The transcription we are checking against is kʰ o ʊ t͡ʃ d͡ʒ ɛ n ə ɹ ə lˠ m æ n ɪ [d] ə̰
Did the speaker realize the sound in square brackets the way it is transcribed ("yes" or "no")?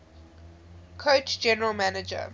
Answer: no